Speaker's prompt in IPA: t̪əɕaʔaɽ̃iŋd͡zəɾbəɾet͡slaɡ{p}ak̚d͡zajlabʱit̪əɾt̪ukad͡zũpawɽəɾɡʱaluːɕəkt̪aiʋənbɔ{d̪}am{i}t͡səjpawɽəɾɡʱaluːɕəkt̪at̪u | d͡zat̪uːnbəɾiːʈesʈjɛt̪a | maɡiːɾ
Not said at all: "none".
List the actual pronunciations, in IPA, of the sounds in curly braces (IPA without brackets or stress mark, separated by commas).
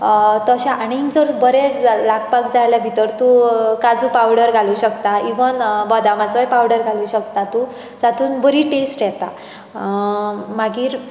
p, d̪, a